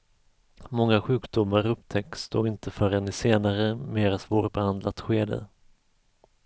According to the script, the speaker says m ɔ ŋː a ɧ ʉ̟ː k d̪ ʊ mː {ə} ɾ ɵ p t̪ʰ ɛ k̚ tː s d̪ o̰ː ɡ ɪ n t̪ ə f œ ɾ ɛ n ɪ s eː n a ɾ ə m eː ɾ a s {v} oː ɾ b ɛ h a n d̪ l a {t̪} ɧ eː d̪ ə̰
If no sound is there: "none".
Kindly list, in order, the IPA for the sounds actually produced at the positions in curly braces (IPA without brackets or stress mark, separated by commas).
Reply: a, v, t̪